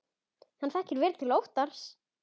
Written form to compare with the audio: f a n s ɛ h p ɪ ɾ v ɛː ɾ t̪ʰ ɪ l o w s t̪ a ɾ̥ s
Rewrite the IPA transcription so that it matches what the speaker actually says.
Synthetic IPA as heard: h a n θ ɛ h c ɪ ɾ v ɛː ɾ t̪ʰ ɪ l o w h t̪ a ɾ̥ s

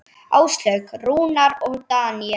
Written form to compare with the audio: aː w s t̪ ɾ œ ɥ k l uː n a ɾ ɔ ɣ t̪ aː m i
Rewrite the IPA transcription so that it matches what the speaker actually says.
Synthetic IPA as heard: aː w s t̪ l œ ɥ k r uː n a ɾ ɔ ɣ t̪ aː n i

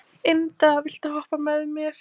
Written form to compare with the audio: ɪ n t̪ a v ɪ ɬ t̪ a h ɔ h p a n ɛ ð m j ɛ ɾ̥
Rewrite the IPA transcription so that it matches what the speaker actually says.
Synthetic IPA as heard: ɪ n t̪ a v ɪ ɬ t̪ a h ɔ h p a m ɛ ð m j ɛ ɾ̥

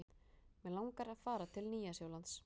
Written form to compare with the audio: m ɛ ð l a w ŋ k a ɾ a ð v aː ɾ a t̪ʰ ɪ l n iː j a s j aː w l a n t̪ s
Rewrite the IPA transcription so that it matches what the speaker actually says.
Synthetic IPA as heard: m ɛ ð l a w ŋ k a ɾ a ð f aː ɾ a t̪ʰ ɪ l n iː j a s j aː w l a n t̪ s

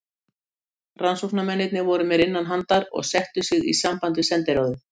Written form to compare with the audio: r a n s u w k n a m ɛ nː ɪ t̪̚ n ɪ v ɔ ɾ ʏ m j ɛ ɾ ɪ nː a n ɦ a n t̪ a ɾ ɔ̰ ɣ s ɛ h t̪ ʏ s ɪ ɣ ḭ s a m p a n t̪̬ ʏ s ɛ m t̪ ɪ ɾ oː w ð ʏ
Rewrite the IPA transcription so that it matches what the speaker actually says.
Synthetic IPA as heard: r a n s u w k n a m ɛ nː ɪ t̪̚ n ɪ v ɔ ɾ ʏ m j ɛ ɾ ɪ nː a n ɦ a n t̪ a ɾ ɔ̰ ɣ s ɛ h t̪ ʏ s ɪ ɣ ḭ s a m p a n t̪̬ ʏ s ɛ n t̪ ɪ ɾ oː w ð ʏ

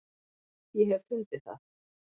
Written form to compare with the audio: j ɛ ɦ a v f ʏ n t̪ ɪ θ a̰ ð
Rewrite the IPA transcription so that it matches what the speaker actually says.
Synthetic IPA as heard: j ɛ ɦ ɛ v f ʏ n t̪ ɪ θ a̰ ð

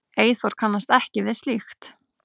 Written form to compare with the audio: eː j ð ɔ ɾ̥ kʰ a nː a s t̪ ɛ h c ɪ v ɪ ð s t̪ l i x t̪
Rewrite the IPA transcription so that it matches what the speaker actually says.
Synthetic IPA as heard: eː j θ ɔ ɾ̥ kʰ a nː a s t̪ ɛ h c ɪ v ɪ ð s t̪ l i x t̪

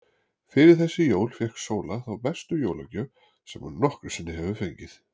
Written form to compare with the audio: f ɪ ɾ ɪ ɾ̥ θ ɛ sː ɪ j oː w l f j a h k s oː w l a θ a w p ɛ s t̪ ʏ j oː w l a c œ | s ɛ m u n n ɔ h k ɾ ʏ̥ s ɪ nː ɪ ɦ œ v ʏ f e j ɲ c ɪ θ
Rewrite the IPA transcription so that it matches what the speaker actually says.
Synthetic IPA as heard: f ɪ ɾ ɪ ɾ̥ θ ɛ sː ɪ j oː w l f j ɛ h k s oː w l a θ a w p ɛ s t̪ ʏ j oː w l a c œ | s ɛ m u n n ɔ h k ɾ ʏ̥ s ɪ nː ɪ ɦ ɛ v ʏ f e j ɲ c ɪ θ

